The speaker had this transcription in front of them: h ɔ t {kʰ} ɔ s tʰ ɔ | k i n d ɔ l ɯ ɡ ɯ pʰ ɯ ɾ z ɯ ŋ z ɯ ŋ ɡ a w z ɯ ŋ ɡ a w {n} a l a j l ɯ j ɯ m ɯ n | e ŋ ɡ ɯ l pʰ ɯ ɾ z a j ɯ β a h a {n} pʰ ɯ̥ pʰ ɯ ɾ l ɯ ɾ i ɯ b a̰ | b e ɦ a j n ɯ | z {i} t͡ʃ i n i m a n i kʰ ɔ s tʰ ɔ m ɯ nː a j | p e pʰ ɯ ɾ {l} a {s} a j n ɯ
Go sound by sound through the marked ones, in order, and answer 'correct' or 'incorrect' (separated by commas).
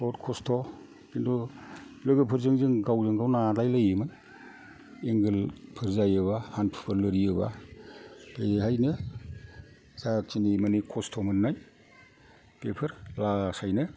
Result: correct, correct, correct, incorrect, correct, correct